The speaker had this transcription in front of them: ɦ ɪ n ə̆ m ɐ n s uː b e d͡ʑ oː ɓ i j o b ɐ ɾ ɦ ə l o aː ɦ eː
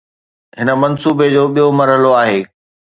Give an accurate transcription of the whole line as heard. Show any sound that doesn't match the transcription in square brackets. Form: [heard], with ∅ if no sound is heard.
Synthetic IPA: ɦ ɪ n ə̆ m ɐ n s uː b e d͡ʑ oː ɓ i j o [m] ɐ ɾ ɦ ə l o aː ɦ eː

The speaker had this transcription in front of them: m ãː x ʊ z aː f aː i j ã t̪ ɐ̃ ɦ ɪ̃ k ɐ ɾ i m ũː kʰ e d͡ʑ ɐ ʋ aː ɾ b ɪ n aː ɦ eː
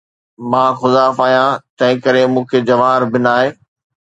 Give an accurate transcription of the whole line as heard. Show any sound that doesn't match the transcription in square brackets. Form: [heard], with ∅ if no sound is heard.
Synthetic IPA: m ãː x ʊ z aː f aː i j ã t̪ ɐ̃ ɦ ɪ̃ k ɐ ɾ [e] m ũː kʰ e d͡ʑ ɐ ʋ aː ɾ b ɪ n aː ɦ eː

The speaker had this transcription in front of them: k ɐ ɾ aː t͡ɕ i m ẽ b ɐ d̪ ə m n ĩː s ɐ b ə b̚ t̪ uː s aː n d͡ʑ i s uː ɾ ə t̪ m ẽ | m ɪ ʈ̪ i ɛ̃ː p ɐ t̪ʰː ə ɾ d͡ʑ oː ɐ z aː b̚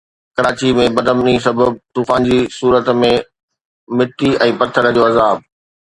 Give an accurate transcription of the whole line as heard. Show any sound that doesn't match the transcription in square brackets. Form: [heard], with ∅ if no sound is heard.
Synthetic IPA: k ɐ ɾ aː t͡ɕ i m ẽ b ɐ d̪ ə m n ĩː s ɐ b ə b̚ t̪ uː [f] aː n d͡ʑ i s uː ɾ ə t̪ m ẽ | m ɪ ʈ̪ i ɛ̃ː p ɐ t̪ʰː ə ɾ d͡ʑ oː ɐ z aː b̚

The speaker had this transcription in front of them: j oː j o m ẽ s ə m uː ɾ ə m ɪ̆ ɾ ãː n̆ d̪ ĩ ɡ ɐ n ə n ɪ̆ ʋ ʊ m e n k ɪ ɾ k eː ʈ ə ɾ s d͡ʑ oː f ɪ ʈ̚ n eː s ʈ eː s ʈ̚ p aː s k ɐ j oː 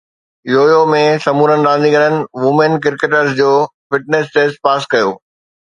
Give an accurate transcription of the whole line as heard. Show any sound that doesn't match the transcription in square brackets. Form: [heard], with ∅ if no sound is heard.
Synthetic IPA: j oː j o m ẽ s [ɐ] m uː ɾ ə [n] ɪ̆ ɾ ãː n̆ d̪ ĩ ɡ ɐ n ə n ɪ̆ ʋ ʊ m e n k ɪ ɾ k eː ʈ ə ɾ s d͡ʑ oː f ɪ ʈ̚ n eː s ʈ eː s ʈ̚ p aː s k ɐ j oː

